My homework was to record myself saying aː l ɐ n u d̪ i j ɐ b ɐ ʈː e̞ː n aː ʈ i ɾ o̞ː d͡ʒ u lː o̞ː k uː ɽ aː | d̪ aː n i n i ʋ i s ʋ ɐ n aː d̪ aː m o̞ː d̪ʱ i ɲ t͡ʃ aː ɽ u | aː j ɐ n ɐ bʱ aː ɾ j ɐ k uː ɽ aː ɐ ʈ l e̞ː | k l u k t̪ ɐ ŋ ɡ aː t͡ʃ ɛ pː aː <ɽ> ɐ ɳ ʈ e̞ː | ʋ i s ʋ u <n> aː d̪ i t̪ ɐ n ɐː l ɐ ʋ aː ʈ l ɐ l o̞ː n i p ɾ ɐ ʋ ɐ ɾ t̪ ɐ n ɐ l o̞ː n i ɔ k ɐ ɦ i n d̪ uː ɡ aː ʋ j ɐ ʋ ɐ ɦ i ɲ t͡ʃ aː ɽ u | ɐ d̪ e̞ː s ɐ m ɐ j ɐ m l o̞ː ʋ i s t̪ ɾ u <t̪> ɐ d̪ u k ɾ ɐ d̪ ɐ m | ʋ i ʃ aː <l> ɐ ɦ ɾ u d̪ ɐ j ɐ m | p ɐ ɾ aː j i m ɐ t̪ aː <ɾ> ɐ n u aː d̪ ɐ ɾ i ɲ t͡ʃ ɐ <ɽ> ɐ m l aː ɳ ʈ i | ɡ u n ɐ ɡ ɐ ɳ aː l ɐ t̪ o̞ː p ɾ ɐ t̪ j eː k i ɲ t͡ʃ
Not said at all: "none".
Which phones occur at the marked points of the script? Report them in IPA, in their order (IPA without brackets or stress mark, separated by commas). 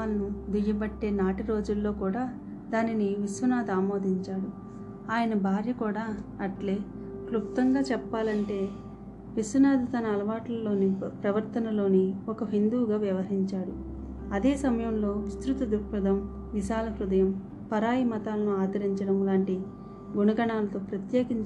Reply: l, n, t̪, l, l, ɽ